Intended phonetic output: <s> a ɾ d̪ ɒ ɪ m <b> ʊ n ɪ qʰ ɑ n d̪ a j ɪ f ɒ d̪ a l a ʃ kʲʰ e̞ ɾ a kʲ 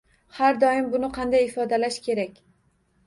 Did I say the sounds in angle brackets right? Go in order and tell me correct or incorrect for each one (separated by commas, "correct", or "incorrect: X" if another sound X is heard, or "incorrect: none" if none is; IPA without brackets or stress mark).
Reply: incorrect: h, correct